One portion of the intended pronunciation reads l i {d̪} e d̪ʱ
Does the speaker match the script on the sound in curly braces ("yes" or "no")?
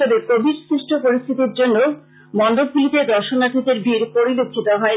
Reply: no